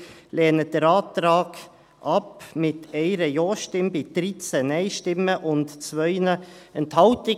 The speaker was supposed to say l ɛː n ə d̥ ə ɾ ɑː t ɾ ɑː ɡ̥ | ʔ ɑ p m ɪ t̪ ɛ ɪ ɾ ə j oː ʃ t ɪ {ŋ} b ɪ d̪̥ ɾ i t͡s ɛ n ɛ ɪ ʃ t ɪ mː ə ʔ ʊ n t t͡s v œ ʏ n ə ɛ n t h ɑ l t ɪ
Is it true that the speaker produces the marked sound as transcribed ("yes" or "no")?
no